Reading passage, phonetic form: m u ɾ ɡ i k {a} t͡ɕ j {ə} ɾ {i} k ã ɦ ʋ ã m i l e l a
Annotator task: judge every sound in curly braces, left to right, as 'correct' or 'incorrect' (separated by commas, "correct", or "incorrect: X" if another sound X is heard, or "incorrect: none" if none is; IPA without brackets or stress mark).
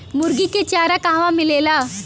incorrect: e, incorrect: a, incorrect: a